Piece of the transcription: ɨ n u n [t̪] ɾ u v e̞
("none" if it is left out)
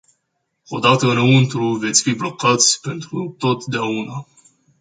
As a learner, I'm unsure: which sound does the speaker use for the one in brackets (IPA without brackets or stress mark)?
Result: t̪